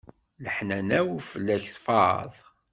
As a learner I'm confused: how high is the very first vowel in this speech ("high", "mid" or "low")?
mid